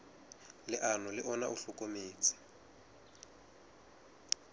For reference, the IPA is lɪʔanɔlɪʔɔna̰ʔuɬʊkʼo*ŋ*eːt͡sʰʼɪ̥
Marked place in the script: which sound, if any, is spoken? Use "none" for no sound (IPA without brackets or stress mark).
m